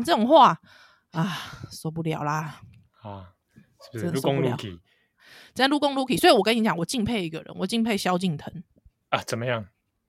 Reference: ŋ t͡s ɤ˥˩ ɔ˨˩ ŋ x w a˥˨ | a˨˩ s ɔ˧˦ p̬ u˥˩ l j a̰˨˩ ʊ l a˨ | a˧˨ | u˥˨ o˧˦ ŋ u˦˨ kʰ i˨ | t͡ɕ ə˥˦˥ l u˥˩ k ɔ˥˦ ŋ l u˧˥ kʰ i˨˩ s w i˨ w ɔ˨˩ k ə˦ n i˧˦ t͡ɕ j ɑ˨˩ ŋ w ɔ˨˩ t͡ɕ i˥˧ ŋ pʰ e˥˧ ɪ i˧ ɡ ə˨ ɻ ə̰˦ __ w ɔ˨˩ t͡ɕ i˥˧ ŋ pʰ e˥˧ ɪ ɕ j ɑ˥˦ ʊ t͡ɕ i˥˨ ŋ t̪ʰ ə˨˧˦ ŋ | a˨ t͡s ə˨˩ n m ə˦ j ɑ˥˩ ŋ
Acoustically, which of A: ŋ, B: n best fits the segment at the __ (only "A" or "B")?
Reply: B